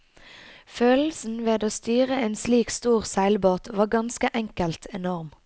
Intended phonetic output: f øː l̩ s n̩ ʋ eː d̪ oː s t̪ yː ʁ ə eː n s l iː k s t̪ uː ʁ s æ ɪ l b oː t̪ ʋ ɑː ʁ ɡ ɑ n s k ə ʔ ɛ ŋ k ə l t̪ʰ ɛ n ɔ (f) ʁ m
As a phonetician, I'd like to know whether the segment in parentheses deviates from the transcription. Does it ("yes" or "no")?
yes